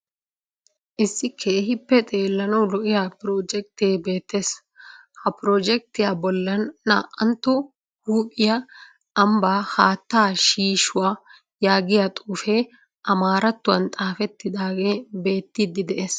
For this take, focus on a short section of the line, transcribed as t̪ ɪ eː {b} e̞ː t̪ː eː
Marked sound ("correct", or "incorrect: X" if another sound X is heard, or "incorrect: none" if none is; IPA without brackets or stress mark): correct